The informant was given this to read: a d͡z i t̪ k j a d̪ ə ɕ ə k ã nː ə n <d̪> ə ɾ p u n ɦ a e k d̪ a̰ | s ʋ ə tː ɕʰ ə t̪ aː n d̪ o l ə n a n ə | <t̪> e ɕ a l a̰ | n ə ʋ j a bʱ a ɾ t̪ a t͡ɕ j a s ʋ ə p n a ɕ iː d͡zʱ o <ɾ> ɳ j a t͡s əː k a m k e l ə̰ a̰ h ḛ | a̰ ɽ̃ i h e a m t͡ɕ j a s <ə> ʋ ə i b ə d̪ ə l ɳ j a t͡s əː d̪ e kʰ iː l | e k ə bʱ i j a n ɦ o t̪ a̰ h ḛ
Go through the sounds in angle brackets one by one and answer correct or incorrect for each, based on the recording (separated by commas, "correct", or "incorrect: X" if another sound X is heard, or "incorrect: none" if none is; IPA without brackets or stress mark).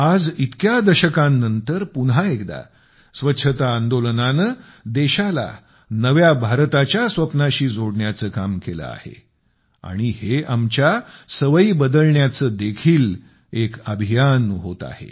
incorrect: t̪, incorrect: d̪, incorrect: ɽ, correct